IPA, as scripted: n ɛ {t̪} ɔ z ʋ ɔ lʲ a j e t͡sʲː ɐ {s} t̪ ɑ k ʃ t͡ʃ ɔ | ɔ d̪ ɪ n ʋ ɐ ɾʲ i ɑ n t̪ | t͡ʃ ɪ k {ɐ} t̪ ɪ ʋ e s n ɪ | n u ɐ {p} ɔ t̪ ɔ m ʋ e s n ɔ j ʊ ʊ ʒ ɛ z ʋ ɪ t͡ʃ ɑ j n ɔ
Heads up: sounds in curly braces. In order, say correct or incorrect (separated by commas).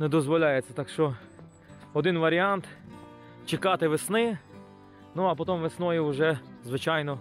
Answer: incorrect, incorrect, incorrect, correct